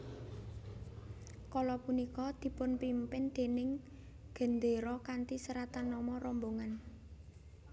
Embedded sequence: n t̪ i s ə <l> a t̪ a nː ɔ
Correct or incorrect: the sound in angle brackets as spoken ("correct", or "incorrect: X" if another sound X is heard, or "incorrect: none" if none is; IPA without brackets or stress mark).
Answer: incorrect: ɾ